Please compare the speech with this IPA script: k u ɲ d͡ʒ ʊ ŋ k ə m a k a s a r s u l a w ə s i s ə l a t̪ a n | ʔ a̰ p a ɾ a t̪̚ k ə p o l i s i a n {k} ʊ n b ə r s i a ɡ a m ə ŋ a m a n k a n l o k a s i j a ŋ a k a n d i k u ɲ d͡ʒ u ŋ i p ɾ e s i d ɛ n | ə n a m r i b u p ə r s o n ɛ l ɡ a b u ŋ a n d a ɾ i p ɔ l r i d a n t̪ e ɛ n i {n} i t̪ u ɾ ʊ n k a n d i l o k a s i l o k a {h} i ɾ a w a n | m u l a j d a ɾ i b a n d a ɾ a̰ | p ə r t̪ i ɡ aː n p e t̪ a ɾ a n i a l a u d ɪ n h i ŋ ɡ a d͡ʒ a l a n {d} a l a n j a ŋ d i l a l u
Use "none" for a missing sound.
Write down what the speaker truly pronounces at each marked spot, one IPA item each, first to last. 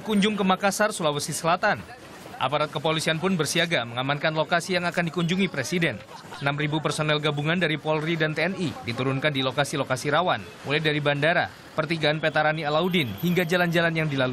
p, d, s, d͡ʒ

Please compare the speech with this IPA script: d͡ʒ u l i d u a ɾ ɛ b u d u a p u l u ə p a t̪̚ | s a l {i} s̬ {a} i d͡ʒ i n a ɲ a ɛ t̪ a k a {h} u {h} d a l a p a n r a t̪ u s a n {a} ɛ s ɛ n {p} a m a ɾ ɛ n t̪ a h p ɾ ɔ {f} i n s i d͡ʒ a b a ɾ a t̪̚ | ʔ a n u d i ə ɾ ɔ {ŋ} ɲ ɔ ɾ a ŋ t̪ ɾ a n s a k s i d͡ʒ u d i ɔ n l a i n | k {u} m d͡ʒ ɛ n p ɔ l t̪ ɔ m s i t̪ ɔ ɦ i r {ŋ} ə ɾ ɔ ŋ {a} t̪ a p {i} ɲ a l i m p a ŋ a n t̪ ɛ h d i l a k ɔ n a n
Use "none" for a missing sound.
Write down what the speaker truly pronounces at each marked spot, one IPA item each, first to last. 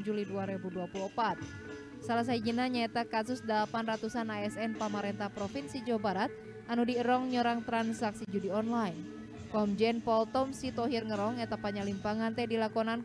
a, a, s, s, a, p, f, ŋ, ɔ, ŋ, ɛ, a

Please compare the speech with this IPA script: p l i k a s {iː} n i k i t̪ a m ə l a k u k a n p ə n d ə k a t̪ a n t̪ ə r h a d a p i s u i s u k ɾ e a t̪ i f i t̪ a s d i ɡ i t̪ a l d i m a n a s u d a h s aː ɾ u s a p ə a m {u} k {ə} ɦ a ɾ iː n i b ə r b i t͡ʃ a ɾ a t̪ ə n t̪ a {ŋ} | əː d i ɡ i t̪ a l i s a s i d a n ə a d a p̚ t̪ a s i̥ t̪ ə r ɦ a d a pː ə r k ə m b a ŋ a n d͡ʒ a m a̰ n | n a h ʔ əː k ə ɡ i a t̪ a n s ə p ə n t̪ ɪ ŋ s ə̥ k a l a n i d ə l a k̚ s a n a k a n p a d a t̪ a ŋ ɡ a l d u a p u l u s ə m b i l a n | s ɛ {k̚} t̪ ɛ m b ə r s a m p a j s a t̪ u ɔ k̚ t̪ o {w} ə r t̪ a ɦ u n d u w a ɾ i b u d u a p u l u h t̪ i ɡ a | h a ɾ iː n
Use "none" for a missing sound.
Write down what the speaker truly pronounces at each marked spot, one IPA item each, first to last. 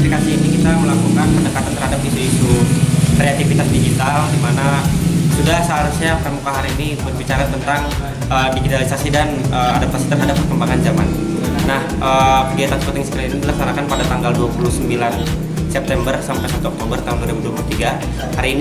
iː, u, a, ŋ, p̚, b

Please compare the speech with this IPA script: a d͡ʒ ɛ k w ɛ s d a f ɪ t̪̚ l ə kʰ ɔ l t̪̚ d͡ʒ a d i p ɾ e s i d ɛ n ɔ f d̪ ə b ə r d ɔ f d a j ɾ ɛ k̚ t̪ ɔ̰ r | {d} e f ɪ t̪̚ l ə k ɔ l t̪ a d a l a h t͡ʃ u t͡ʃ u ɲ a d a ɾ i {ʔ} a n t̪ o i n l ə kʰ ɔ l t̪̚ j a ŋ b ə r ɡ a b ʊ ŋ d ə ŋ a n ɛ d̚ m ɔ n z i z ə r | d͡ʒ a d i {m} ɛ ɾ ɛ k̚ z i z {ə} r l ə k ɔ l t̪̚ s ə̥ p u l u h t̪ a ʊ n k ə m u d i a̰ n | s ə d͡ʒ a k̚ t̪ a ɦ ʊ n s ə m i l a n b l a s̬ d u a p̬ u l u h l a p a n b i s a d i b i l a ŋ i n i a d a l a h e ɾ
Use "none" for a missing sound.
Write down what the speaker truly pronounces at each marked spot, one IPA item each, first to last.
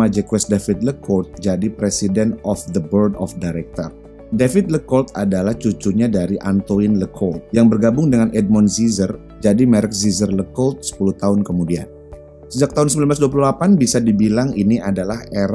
d, ʔ, m, ə

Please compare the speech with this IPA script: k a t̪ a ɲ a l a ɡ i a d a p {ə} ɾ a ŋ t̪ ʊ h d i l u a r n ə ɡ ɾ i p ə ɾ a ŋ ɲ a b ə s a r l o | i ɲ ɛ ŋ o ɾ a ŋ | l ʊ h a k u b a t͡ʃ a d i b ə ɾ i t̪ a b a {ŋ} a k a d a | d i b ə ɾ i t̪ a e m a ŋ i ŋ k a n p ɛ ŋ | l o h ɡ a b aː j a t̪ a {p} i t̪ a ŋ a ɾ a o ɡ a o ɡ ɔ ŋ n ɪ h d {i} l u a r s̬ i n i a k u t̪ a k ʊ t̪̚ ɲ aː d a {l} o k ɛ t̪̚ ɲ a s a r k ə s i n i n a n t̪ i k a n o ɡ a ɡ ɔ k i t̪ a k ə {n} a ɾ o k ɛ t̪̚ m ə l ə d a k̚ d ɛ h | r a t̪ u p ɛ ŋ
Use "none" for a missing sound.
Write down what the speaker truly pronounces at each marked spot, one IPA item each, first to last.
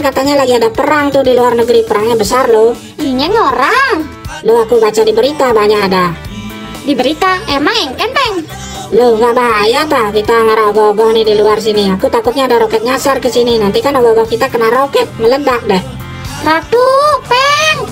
ə, ɲ, k, i, ɾ, n

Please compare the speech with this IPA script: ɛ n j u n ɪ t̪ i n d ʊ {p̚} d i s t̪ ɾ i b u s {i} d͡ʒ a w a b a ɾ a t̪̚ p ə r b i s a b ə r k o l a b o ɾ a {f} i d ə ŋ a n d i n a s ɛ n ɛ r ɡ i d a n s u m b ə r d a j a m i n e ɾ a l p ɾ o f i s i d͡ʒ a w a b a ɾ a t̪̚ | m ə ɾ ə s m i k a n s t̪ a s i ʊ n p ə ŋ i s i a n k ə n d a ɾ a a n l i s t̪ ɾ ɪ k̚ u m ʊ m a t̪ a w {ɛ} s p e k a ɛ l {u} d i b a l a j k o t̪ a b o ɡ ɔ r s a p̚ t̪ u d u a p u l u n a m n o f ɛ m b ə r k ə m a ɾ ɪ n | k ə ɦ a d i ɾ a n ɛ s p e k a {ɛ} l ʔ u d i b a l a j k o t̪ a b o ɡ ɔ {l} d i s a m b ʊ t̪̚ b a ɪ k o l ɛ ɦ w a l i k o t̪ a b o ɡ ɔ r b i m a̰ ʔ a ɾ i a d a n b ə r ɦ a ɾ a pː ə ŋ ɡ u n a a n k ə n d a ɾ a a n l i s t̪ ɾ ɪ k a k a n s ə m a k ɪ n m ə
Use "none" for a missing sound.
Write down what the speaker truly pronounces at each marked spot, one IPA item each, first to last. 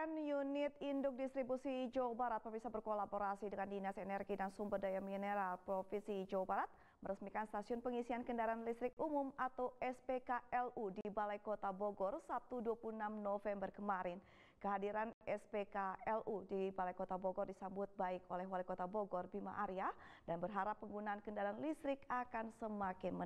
k̚, i, s, ɛ, u, ɛ, r

